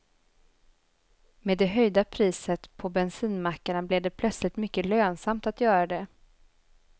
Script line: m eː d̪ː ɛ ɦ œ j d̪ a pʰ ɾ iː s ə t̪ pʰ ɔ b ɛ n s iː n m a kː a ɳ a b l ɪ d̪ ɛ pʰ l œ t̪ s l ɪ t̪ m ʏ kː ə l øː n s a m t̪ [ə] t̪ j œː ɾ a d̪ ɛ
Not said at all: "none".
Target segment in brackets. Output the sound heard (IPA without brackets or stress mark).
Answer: a